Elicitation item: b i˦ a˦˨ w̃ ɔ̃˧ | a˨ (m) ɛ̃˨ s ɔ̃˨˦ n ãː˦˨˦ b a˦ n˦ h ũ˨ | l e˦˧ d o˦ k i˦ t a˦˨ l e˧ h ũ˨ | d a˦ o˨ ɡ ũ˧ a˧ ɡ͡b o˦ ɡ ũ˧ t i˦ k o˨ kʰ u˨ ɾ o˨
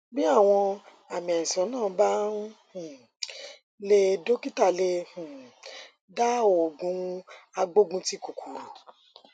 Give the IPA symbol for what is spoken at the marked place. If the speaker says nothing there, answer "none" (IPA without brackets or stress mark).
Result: m